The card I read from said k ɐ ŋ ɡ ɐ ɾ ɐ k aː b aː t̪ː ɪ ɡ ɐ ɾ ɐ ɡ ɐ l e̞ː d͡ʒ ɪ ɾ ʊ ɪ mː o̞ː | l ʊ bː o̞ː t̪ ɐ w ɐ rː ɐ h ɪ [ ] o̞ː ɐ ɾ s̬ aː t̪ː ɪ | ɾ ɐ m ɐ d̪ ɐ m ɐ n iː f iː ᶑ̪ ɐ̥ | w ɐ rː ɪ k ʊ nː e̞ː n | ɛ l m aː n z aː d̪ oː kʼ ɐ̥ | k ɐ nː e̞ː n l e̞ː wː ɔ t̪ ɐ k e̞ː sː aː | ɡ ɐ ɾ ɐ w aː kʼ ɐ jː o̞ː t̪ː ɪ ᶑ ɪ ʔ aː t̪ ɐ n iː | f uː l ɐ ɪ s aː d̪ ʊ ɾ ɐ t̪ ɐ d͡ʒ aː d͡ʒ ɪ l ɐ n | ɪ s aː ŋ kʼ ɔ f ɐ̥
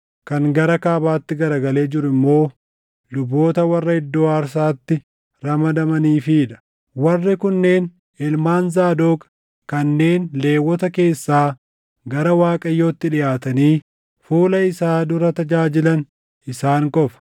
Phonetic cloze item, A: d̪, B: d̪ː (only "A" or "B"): B